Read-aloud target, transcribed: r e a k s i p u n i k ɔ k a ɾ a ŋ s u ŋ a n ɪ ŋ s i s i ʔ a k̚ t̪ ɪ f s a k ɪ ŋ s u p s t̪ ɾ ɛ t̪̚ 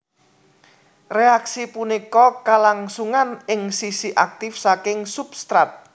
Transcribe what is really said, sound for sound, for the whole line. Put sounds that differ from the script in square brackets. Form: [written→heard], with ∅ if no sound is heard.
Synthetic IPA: r e a k s i p u n i k ɔ k a [ɾ→l] a ŋ s u ŋ a n ɪ ŋ s i s i ʔ a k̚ t̪ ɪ f s a k ɪ ŋ s u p s t̪ ɾ [ɛ→a] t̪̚